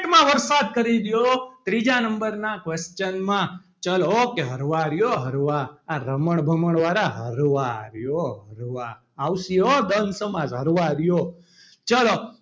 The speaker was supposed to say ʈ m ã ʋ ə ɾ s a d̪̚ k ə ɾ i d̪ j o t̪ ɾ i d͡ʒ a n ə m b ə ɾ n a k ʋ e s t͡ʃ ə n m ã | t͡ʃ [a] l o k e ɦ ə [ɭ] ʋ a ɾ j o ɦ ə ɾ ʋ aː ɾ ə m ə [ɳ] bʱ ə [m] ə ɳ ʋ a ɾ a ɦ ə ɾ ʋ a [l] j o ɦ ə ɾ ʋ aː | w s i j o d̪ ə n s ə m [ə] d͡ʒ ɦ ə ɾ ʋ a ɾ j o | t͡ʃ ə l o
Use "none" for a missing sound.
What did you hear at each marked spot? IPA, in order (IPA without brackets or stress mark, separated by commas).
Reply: ə, ɾ, ɳ, m, ɾ, a